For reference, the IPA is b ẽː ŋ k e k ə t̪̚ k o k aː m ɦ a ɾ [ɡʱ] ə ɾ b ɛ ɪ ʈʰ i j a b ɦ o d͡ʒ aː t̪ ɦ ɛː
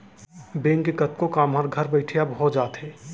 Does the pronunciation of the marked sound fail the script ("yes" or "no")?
no